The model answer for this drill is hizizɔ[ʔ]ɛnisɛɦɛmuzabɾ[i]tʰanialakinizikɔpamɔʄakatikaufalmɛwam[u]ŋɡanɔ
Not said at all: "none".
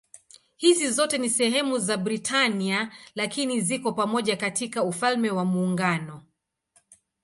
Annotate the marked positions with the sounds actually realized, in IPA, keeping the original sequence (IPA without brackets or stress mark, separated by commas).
t, i, uː